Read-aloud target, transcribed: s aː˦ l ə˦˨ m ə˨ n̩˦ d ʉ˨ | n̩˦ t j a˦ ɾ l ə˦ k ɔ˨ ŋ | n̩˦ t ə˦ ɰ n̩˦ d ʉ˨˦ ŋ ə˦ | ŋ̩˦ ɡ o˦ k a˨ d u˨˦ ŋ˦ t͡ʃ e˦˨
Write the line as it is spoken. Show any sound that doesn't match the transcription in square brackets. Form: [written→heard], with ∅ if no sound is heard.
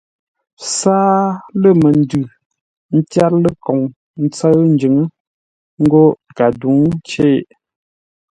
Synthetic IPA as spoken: s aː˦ l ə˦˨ m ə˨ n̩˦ d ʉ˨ | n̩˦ t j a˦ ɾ l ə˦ k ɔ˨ ŋ | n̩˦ [t→t͡s] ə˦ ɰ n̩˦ [d→d͡ʒ] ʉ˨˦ ŋ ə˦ | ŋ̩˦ ɡ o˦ k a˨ d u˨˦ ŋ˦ t͡ʃ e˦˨